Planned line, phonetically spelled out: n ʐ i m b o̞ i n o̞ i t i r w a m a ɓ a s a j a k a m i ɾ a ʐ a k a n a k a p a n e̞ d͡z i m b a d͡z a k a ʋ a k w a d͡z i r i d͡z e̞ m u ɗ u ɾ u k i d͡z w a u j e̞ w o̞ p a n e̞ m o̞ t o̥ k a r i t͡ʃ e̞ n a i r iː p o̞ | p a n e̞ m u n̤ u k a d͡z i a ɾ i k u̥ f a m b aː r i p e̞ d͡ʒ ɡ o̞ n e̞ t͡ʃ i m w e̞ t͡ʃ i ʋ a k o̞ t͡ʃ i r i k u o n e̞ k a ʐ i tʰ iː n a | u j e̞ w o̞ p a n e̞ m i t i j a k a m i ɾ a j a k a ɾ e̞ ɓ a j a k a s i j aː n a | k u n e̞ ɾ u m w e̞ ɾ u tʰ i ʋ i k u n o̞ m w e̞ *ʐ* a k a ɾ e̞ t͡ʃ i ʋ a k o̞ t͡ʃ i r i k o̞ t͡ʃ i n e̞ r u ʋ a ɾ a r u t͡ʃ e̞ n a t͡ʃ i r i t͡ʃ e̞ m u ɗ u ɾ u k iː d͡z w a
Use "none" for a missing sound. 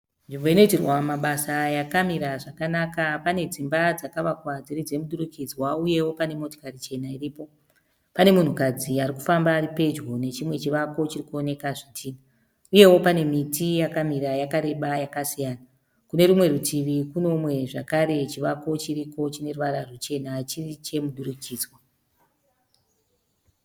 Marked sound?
ʐ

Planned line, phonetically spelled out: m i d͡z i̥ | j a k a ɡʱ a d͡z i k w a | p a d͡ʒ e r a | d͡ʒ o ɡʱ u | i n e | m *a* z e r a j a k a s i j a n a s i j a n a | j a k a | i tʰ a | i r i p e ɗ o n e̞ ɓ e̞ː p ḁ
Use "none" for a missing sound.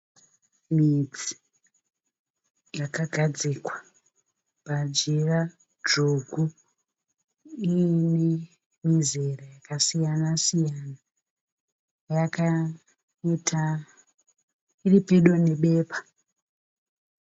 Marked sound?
i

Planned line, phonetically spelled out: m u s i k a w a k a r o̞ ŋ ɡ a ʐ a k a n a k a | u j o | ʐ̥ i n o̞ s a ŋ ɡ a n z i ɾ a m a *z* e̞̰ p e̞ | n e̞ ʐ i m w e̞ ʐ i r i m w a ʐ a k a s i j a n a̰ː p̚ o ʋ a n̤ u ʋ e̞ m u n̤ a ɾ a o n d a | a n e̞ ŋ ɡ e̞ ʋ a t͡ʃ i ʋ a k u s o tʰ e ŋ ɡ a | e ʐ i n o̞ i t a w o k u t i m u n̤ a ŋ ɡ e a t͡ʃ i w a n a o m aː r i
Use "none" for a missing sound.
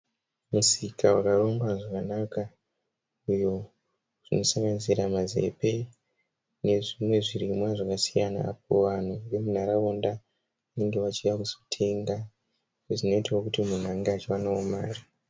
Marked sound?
z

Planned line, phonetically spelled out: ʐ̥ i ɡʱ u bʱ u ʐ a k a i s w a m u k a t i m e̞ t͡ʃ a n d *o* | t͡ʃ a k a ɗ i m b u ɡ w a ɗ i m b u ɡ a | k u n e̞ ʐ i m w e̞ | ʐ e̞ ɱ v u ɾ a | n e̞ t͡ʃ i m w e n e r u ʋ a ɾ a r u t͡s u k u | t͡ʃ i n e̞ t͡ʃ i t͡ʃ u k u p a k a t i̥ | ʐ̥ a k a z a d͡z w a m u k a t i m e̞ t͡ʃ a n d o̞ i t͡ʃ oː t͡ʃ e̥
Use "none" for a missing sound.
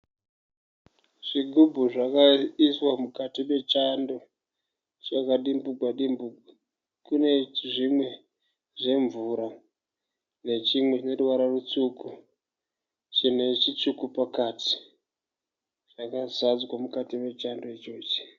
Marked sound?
o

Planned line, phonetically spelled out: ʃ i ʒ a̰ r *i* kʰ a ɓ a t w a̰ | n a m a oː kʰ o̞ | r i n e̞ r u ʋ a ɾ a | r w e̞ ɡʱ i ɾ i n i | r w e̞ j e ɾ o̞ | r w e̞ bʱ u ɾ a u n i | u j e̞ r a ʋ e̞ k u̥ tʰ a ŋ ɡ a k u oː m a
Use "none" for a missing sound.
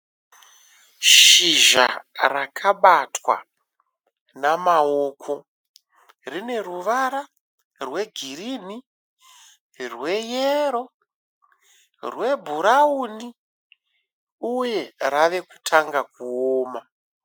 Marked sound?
a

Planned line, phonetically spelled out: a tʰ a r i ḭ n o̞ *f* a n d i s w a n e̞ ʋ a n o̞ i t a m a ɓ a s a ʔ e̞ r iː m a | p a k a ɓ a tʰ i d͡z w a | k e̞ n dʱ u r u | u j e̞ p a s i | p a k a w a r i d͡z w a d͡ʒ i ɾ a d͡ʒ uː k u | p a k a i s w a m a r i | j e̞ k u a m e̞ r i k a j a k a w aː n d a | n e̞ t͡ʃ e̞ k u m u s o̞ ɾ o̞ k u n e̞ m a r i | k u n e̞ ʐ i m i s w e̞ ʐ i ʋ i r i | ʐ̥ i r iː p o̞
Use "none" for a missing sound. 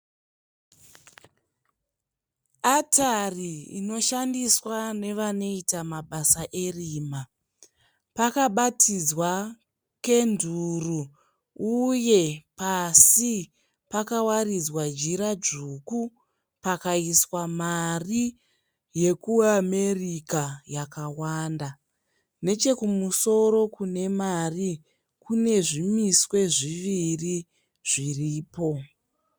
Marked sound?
ʃ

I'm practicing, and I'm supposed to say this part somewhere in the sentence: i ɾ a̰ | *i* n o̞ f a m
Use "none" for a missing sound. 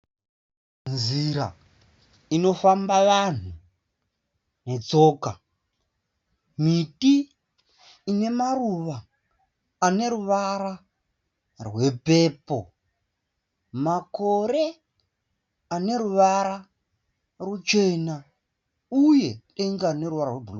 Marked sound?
i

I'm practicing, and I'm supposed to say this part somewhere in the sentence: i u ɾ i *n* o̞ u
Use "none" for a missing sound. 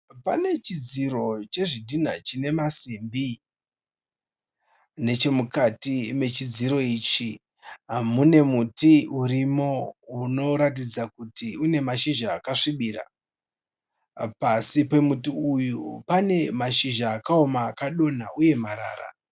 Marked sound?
m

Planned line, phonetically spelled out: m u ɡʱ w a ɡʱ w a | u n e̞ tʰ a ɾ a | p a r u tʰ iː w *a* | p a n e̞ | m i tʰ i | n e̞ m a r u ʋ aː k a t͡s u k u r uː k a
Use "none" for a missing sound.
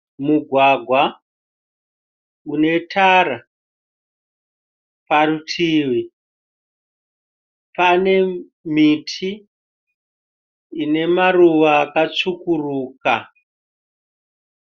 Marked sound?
i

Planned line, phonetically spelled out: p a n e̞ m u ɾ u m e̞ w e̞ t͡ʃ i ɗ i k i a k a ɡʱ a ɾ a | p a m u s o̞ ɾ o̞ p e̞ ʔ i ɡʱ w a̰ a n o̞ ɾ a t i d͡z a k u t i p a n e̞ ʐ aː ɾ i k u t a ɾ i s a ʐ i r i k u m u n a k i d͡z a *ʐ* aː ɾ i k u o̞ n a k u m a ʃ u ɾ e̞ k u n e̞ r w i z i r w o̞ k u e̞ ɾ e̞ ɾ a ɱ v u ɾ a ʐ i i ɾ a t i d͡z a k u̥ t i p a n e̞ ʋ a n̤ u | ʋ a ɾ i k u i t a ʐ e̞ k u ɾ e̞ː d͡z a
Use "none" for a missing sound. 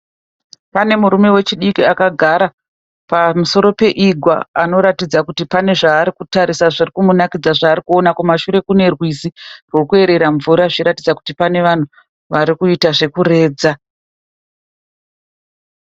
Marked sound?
ʐ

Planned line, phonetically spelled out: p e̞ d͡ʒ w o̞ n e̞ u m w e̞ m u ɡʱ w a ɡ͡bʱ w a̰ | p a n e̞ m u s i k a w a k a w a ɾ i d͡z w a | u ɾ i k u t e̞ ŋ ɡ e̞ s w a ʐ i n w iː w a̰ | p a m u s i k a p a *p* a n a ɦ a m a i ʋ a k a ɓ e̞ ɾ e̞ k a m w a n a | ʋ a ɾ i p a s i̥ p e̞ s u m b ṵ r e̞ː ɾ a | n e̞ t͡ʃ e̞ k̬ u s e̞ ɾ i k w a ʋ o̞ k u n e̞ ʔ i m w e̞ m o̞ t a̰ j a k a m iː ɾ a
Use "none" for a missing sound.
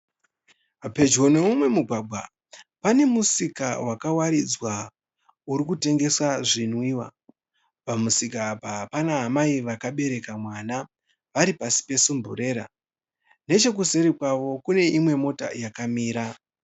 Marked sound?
p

